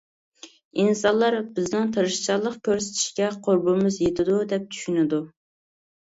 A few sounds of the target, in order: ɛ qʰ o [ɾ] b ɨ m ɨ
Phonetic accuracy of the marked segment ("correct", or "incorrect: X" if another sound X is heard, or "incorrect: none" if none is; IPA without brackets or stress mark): correct